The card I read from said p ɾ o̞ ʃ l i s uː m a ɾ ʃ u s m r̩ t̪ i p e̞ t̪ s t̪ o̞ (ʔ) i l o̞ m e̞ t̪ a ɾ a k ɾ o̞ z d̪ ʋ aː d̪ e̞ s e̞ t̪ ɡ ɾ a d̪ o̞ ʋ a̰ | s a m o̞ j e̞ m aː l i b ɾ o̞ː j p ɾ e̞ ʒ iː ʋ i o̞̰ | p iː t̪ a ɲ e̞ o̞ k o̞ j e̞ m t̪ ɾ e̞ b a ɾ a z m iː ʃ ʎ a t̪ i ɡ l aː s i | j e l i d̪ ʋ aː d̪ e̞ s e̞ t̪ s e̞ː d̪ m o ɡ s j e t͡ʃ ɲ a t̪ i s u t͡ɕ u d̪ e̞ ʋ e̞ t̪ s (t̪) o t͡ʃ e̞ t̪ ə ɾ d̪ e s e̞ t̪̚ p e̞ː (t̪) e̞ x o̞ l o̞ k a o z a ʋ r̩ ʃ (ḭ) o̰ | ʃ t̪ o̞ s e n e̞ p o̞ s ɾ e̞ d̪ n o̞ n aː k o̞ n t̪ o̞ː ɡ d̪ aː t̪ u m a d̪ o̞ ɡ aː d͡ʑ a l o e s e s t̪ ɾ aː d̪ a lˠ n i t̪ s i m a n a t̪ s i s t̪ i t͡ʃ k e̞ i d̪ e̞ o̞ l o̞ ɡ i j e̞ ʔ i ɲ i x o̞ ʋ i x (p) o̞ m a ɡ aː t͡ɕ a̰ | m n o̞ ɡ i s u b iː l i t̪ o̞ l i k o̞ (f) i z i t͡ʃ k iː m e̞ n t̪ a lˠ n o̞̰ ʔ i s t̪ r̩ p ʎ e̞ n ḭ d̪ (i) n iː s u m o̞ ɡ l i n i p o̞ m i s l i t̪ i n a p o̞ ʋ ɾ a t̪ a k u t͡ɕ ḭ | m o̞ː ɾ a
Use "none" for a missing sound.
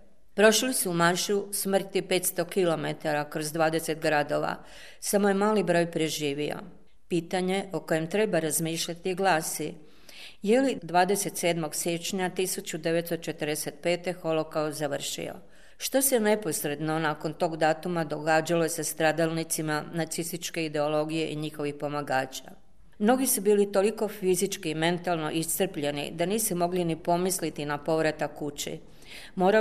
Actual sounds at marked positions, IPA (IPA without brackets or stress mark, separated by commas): k, t̪, t̪, ḭ, p, f, a